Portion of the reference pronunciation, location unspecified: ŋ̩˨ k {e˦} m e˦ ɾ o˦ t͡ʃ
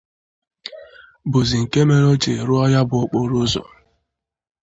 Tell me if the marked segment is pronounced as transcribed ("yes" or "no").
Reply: yes